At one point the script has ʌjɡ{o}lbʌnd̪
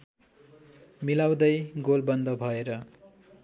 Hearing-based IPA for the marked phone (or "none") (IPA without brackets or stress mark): o